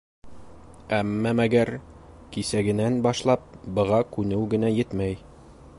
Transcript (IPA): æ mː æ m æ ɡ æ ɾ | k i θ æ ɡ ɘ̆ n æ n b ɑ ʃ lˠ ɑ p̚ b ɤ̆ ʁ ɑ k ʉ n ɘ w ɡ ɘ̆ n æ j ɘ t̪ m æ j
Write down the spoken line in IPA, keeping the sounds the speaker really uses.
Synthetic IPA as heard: æ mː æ m æ ɡ æ ɾ | k i s æ ɡ ɘ̆ n æ n b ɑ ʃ lˠ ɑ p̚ b ɤ̆ ʁ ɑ k ʉ n ɘ w ɡ ɘ̆ n æ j ɘ t̪ m æ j